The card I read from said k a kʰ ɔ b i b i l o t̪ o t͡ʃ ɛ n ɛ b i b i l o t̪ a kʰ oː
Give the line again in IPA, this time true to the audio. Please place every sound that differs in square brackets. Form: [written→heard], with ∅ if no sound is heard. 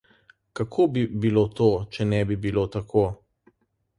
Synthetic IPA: k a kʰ [ɔ→o] b i b i l o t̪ o t͡ʃ ɛ n ɛ b i b i l o t̪ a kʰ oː